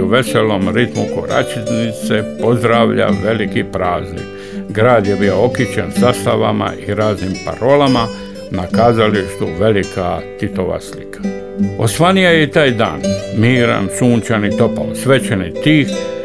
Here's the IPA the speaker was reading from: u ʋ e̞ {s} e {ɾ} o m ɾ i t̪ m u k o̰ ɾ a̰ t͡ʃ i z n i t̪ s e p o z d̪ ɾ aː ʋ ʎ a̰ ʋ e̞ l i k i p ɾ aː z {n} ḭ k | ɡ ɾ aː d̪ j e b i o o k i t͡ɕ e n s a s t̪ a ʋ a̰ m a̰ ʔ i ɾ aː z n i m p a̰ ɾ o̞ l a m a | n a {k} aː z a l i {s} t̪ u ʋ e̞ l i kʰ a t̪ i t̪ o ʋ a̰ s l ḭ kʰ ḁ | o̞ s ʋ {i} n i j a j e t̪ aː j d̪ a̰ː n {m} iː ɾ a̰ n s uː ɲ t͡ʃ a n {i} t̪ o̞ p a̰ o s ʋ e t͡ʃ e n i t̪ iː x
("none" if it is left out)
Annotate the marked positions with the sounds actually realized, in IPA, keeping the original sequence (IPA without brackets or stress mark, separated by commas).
s, l, n, k, ʃ, a, m, i